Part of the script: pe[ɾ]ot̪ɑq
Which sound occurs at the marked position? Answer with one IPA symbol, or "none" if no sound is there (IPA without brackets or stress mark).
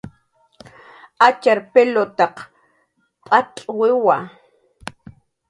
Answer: l